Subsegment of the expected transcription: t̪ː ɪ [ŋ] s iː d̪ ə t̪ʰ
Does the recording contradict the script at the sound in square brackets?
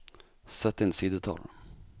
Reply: yes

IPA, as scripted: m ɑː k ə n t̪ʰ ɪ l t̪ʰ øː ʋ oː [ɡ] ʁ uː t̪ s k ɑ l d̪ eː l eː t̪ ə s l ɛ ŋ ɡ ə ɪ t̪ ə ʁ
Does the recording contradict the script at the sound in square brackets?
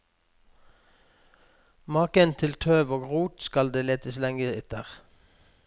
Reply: no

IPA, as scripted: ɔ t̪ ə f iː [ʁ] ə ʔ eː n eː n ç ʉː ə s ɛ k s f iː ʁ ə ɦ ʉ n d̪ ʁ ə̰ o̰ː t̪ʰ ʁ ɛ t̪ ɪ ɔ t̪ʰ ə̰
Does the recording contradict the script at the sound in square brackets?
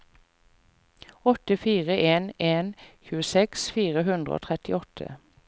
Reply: no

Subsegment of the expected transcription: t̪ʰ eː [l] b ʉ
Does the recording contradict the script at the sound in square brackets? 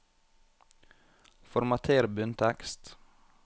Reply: yes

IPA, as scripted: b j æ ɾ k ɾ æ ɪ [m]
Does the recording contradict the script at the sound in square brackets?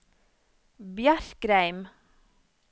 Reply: no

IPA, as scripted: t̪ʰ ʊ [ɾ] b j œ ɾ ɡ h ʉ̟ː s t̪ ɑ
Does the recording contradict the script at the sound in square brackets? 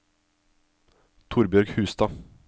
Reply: no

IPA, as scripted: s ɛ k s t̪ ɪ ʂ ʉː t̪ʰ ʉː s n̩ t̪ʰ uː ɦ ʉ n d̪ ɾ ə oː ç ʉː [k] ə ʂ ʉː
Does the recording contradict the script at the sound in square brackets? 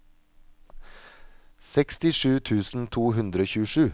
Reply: yes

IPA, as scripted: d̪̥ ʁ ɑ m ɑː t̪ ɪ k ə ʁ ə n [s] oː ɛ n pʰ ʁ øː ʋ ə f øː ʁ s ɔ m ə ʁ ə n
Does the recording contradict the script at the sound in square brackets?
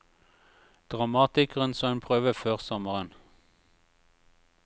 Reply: no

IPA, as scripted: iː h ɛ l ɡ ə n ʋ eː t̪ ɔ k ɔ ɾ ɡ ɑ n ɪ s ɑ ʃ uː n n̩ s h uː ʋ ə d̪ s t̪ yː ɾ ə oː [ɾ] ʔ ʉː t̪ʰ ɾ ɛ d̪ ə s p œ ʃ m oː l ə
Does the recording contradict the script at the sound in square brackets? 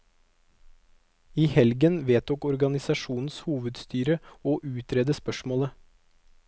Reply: yes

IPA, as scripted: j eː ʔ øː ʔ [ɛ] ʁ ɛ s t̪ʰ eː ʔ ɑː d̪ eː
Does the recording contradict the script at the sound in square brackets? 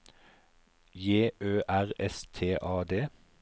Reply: yes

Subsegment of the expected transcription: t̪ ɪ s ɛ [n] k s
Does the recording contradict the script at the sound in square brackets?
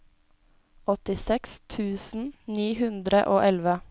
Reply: yes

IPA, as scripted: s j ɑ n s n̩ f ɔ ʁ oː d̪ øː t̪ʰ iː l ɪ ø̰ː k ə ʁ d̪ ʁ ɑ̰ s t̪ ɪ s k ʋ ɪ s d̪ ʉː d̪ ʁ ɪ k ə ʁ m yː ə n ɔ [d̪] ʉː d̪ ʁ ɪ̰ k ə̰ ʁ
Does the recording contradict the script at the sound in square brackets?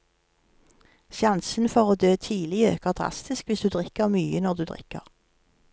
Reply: no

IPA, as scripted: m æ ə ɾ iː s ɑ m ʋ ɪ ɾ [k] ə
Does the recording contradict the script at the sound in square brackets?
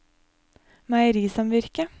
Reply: no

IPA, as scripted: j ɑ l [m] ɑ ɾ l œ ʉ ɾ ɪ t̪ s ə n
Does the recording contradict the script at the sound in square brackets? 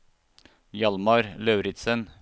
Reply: no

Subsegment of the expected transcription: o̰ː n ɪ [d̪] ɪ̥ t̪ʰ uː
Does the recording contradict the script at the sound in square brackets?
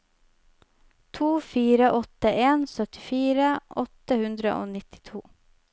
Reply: yes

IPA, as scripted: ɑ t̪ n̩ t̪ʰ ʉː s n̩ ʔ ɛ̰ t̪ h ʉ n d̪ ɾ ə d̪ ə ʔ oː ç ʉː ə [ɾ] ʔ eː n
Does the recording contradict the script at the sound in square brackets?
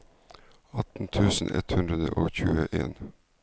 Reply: yes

